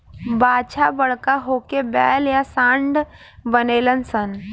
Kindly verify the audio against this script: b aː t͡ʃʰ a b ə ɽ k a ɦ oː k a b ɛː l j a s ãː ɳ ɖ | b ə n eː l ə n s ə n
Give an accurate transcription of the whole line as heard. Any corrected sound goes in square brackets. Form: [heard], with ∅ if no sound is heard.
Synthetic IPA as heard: b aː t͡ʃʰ a b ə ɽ k a ɦ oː k [e] b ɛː l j a s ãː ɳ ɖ | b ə n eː l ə n s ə n